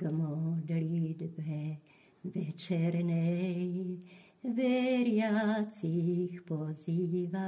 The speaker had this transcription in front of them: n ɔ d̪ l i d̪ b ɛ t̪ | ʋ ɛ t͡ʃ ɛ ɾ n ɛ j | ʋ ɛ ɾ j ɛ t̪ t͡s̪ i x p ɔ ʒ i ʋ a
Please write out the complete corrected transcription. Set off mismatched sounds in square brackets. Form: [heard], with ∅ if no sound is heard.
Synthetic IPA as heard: [m] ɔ d̪ l i d̪ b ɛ [∅] | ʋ ɛ t͡ʃ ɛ ɾ n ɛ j | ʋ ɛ ɾ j [a] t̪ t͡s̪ i x p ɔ [z] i ʋ a